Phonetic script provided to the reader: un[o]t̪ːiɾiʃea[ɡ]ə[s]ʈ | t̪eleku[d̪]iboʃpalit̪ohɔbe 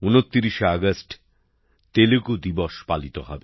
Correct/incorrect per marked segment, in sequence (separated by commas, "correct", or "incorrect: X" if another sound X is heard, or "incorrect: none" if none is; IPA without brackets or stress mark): correct, correct, correct, correct